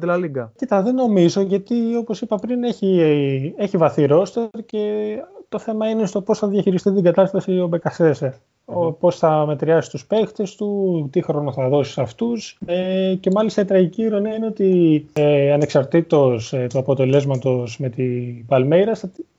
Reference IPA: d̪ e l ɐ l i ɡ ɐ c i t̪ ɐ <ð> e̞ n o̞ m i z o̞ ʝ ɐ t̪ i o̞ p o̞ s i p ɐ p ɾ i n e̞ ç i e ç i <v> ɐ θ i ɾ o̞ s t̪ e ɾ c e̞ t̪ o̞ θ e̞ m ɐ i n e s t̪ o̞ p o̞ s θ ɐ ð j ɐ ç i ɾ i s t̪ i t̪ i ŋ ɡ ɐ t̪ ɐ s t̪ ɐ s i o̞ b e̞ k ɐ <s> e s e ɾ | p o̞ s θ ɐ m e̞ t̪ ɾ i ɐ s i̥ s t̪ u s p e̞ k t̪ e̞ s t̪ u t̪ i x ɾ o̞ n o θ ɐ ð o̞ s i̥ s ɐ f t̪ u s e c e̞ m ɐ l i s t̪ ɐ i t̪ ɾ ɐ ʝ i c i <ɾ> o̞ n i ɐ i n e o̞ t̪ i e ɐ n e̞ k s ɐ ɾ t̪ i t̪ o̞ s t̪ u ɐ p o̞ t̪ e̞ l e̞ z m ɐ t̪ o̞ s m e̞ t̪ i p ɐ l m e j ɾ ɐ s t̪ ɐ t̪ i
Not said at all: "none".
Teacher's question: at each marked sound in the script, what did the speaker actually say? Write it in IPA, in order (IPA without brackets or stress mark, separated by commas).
ð, v, s, ɾ